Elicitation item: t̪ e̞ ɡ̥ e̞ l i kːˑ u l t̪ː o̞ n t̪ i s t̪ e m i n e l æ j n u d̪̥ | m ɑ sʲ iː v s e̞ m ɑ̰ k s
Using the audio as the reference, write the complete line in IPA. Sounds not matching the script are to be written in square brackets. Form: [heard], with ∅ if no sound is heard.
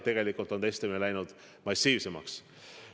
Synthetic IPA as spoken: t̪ e̞ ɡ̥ e̞ l i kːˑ u l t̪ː o̞ n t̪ [e] s t̪ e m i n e l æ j n u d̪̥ | m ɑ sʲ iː v s e̞ m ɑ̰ k s